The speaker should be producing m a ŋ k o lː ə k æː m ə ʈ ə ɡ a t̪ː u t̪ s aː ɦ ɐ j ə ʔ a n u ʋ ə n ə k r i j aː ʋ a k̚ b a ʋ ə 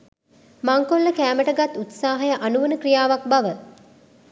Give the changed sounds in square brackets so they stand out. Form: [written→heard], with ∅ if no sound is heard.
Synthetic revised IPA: m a ŋ k o lː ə k æː m ə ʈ ə ɡ a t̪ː u t̪ s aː ɦ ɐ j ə ʔ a n u ʋ ə n ə k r i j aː ʋ a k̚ b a ʋ ə